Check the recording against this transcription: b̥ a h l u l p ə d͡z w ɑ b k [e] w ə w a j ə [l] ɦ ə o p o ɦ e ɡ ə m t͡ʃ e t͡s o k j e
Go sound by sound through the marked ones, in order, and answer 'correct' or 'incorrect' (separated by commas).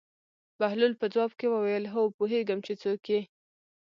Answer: correct, correct